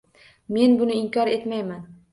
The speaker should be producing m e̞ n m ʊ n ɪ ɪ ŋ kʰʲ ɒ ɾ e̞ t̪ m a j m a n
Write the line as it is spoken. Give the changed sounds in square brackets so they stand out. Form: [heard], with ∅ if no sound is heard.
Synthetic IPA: m e̞ n [b] ʊ n ɪ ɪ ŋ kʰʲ ɒ ɾ e̞ t̪ m a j m a n